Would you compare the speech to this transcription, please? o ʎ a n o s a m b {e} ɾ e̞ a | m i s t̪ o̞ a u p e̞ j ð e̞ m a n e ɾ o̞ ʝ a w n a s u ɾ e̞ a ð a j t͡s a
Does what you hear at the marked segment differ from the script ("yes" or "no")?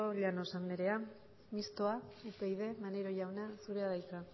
no